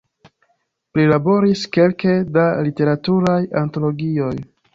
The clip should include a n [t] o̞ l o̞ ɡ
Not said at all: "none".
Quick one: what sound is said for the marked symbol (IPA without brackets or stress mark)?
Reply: t